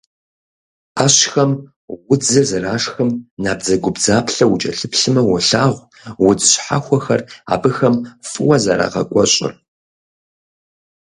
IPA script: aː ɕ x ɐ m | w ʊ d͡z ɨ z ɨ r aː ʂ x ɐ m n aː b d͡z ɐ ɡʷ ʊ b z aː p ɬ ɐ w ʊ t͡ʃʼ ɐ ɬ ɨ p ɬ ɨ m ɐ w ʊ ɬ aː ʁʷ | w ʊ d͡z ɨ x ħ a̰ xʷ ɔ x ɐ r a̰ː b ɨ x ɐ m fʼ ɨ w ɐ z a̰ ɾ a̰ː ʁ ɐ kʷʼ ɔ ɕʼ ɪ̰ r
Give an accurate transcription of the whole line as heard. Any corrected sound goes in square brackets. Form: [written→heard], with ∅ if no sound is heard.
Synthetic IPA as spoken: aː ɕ x ɐ m | w ʊ d͡z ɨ z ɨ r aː ʂ x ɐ m n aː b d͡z ɐ ɡʷ ʊ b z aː p ɬ ɐ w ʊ t͡ʃʼ ɐ ɬ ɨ p ɬ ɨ m ɐ w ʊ ɬ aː ʁʷ | w ʊ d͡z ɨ [x→ɕ] ħ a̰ xʷ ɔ x ɐ r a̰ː b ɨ x ɐ m fʼ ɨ w ɐ z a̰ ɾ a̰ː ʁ ɐ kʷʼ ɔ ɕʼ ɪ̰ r